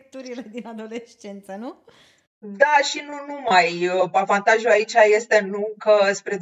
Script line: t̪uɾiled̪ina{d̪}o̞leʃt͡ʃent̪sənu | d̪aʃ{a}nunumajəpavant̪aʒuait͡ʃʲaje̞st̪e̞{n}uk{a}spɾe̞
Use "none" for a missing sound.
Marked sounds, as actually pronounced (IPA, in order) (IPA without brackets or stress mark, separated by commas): d̪, i, n, ə